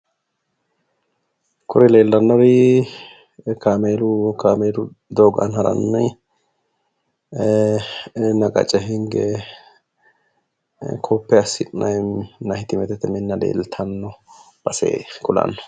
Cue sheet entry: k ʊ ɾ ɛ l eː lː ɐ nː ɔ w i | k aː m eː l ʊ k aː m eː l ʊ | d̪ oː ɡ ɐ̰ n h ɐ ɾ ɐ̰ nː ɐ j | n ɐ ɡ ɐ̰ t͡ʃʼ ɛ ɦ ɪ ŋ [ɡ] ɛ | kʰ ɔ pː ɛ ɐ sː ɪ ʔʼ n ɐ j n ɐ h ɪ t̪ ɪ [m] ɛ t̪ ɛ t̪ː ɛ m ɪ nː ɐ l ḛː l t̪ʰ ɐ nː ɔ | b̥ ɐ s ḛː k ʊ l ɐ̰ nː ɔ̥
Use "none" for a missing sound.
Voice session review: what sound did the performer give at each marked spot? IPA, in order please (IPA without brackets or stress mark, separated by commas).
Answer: ɡ, m